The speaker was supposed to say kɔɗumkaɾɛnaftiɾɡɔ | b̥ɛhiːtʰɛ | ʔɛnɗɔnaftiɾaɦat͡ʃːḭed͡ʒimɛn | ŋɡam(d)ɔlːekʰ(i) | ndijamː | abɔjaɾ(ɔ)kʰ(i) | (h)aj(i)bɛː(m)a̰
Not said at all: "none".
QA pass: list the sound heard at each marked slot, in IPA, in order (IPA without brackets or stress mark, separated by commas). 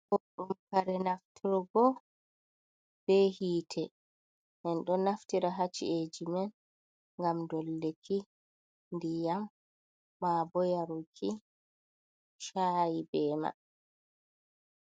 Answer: d, i, u, i, ʃ, i, m